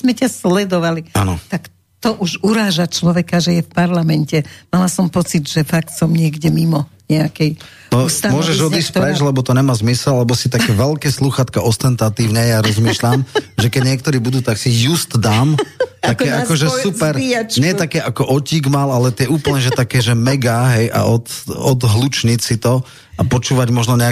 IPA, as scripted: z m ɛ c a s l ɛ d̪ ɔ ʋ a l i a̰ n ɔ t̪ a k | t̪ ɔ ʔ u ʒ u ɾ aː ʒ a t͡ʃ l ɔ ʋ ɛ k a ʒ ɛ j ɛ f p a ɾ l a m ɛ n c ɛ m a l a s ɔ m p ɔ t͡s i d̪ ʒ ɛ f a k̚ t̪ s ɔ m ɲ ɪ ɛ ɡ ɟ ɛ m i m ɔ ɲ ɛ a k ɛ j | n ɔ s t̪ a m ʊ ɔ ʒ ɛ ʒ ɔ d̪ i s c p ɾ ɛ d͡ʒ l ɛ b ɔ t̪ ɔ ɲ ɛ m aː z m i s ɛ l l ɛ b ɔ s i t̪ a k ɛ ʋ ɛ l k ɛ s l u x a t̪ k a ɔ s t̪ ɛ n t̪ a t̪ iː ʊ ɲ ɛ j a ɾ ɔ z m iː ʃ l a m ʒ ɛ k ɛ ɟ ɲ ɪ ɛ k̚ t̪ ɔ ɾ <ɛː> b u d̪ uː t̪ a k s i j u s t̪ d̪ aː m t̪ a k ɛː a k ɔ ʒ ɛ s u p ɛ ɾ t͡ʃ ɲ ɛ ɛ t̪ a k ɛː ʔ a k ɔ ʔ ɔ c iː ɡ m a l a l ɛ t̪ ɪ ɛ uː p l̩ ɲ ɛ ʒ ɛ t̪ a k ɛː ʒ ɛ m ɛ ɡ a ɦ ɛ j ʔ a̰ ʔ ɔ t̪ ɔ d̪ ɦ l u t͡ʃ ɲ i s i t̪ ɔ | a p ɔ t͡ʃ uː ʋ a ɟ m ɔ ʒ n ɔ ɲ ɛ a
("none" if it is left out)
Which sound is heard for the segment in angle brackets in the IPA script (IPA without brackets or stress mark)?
iː